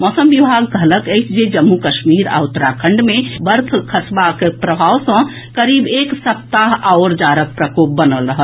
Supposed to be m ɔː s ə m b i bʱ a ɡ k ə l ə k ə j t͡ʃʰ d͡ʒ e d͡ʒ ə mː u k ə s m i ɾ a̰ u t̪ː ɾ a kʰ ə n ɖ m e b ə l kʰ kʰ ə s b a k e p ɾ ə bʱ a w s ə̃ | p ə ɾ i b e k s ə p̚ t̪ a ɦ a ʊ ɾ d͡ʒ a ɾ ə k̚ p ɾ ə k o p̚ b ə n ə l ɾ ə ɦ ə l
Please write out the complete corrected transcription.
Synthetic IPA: m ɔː s ə m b i bʱ a ɡ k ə l ə k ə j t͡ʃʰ d͡ʒ e d͡ʒ ə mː u k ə ʃ m i ɾ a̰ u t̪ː ɾ a kʰ ə ɳ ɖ m e b ə ɾ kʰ kʰ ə s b a k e p ɾ ə bʱ a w s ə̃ | k ə ɾ i b e k s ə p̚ t̪ a ɦ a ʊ ɾ d͡ʒ a ɾ ə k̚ p ɾ ə k o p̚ b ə n ə l ɾ ə ɦ ə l